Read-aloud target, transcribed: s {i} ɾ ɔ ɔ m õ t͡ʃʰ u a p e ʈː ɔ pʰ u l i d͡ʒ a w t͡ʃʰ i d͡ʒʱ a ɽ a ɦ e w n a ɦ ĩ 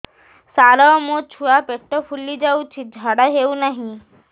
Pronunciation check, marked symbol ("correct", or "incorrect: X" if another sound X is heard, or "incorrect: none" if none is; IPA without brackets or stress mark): incorrect: a